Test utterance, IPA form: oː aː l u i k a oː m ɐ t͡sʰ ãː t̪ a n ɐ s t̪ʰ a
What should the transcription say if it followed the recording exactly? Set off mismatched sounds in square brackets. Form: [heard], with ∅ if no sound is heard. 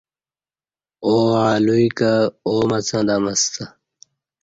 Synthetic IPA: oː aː l u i k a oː m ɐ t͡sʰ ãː [d̪] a [m] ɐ s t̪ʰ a